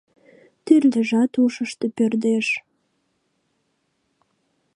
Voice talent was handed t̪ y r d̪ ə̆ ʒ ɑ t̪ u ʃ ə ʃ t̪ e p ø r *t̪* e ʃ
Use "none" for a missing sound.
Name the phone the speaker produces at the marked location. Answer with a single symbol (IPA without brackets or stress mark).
d̪